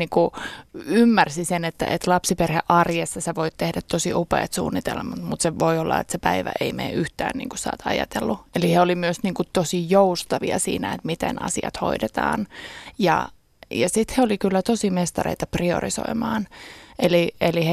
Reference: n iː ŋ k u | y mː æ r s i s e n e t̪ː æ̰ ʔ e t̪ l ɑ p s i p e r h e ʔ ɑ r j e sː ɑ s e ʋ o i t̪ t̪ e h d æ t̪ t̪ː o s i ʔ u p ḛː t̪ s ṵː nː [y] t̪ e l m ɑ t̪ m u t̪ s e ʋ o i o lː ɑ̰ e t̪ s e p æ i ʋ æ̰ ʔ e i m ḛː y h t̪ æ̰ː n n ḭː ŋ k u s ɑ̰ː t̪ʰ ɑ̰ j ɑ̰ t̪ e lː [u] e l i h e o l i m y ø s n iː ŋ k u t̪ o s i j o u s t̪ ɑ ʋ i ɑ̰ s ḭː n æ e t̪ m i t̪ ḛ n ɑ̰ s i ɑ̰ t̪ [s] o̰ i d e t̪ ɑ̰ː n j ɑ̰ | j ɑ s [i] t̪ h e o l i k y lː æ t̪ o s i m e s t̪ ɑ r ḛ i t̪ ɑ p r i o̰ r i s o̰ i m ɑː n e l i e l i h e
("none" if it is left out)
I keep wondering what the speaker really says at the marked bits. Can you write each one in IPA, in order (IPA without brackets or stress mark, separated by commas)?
i, u, h, i